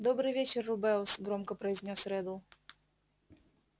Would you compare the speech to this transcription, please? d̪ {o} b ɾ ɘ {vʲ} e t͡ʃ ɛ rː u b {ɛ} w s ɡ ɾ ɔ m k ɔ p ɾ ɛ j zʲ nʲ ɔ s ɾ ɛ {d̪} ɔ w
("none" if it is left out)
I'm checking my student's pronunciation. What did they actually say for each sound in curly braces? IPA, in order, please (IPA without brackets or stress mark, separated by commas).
ɔ, vʲ, ɛ, d̪